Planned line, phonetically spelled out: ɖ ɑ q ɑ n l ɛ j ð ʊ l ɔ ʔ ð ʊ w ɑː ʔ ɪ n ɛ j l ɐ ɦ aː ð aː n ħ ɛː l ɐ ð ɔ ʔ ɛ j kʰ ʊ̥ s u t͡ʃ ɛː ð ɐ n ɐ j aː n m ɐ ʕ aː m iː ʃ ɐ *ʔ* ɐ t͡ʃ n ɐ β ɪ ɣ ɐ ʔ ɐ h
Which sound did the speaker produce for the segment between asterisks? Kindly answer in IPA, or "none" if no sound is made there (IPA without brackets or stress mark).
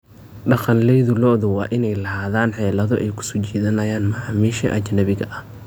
ʔ